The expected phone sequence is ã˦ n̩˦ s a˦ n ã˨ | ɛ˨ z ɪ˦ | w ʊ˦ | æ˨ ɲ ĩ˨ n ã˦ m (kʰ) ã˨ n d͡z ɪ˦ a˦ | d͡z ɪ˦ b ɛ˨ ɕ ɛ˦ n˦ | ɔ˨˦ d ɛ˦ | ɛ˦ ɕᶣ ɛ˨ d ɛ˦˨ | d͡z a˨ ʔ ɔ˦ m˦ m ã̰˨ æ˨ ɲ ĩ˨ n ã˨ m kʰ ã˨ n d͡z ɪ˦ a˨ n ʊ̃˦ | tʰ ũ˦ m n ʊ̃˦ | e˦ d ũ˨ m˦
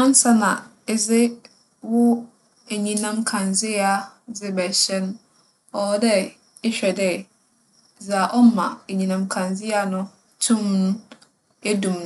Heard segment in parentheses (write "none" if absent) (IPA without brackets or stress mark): kʰ